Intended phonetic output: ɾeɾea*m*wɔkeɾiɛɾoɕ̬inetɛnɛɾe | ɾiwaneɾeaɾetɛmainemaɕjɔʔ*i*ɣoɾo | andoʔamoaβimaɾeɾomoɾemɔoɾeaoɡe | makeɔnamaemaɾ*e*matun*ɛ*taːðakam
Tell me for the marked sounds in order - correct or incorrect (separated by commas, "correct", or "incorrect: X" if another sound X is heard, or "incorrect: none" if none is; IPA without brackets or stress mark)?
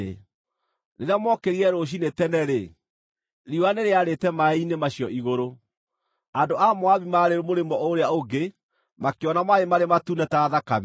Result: correct, correct, correct, correct